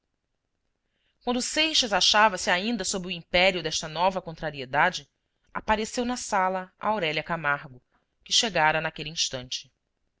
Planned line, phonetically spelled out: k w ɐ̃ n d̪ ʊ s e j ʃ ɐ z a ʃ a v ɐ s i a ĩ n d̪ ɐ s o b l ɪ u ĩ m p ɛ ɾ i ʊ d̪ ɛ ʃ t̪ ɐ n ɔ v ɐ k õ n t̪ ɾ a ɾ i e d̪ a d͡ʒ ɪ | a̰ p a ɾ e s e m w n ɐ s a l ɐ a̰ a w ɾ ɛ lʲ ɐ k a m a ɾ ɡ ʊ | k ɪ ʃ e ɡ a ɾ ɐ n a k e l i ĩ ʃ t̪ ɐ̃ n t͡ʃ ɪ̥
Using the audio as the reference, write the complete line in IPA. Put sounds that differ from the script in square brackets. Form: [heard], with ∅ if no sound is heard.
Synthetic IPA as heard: k w ɐ̃ n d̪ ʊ s e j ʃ ɐ z a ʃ a v ɐ s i a ĩ n d̪ ɐ s o b [ɾ] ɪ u ĩ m p ɛ ɾ i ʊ d̪ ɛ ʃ t̪ ɐ n ɔ v ɐ k õ n t̪ ɾ a ɾ i e d̪ a d͡ʒ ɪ | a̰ p a ɾ e s e [∅] w n ɐ s a l ɐ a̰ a w ɾ ɛ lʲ ɐ k a m a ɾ ɡ ʊ | k ɪ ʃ e ɡ a ɾ ɐ n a k e l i ĩ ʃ t̪ ɐ̃ n t͡ʃ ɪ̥